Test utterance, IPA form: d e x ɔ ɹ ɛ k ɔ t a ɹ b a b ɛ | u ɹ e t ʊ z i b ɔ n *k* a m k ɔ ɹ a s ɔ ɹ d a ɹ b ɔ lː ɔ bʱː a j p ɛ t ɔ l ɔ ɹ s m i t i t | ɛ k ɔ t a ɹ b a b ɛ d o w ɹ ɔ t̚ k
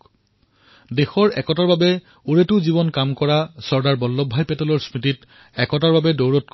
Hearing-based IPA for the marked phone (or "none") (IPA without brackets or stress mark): k